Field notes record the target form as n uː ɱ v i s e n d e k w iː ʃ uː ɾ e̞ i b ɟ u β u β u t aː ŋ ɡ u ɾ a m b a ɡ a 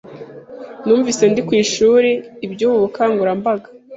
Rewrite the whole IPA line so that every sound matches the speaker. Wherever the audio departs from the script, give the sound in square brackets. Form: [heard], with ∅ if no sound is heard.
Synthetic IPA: n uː ɱ v i s e n d [i] k w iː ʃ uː ɾ e̞ i b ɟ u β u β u [k] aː ŋ ɡ u ɾ a m b a ɡ a